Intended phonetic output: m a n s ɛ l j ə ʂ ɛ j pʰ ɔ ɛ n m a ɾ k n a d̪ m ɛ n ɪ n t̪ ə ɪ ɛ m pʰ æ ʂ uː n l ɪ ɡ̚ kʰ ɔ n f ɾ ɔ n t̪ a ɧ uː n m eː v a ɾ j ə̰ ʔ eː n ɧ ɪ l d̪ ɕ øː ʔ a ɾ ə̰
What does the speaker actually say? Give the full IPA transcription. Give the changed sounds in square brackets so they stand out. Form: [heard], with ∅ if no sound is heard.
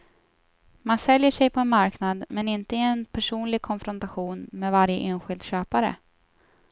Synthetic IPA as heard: m a n s ɛ l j ə ʂ ɛ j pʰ ɔ ɛ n m a ɾ k n a d̪ m ɛ n ɪ n t̪ ə ɪ ɛ [n] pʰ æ ʂ uː n l ɪ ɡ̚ kʰ ɔ n f ɾ ɔ n t̪ a ɧ uː n m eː v a ɾ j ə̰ ʔ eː n ɧ ɪ l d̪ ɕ øː [p] a ɾ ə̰